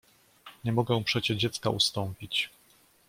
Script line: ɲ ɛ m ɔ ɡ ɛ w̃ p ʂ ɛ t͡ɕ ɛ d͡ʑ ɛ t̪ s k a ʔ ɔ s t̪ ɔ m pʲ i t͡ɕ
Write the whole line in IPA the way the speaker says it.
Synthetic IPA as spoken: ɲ ɛ m ɔ ɡ ɛ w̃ p ʂ ɛ t͡ɕ ɛ d͡ʑ ɛ t̪ s k a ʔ u s t̪ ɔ m pʲ i t͡ɕ